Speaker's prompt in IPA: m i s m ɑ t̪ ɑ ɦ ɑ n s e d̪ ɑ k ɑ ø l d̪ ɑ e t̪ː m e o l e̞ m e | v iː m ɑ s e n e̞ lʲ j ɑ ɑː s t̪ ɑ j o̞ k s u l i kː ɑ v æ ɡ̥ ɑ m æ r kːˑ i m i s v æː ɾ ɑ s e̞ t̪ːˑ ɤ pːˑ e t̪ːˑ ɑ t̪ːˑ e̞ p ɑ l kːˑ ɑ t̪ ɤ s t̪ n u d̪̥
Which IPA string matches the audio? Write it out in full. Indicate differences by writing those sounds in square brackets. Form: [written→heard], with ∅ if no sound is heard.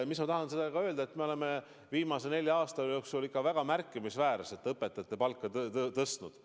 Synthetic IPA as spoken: m i s m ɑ t̪ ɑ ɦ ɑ n s e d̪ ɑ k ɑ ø l d̪ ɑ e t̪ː m e o l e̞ m e | v iː m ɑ s e n e̞ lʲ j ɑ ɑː s t̪ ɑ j o̞ k s u l i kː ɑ v æ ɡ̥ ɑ m æ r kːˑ i m i s v æː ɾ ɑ s e̞ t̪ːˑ ɤ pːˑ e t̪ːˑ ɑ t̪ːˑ e̞ p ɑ l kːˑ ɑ t̪ ɤ s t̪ n u d̪̥